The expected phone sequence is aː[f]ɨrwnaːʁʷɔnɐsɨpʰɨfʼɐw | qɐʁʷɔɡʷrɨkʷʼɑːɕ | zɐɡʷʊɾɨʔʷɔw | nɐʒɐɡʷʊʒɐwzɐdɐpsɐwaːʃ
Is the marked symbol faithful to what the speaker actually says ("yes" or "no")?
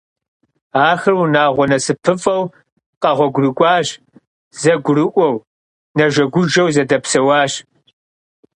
no